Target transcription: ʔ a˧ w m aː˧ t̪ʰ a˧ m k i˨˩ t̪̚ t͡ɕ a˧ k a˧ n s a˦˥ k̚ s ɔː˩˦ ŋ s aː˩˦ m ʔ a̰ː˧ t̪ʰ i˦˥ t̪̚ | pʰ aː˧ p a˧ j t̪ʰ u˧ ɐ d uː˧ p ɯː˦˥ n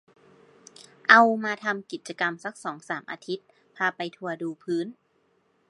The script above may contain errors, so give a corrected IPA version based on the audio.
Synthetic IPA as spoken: ʔ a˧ w m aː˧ t̪ʰ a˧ m k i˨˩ t̪̚ t͡ɕ a˧ k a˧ m s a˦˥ k̚ s ɔː˩˦ ŋ s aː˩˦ m ʔ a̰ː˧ t̪ʰ i˦˥ t̪̚ | pʰ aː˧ p a˧ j t̪ʰ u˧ ɐ d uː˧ pʰ ɯː˦˥ n